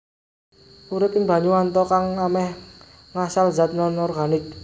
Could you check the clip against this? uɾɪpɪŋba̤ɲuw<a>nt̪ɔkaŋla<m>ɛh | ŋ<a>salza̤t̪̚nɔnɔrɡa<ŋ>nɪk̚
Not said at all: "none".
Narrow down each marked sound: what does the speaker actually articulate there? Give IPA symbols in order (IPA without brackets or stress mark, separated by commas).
a, m, a, none